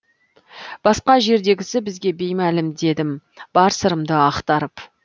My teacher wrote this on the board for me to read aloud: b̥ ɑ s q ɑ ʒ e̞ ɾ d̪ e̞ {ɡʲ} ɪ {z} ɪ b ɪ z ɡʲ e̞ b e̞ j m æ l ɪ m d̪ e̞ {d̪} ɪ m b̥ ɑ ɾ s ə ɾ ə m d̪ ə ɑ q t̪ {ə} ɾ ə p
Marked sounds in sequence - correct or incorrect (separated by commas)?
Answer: correct, incorrect, correct, incorrect